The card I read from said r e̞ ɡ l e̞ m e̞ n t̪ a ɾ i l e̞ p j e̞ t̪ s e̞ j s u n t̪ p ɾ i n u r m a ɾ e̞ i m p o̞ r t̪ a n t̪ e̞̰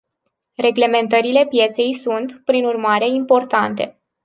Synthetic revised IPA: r e̞ ɡ l e̞ m e̞ n t̪ ə ɾ i l e̞ p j e̞ t̪ s e̞ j s u n t̪ p ɾ i n u r m a ɾ e̞ i m p o̞ r t̪ a n t̪ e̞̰